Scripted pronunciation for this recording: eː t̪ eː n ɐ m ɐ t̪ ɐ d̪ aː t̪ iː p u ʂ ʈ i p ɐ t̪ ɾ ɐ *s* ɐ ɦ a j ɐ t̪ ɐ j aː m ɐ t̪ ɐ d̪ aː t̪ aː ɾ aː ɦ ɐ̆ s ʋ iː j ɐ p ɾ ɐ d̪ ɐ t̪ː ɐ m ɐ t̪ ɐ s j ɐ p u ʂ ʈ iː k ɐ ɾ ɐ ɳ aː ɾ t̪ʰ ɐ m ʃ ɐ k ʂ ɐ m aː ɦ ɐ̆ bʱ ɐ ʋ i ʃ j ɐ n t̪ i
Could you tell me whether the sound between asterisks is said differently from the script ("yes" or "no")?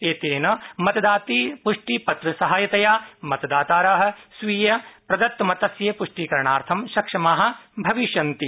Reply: no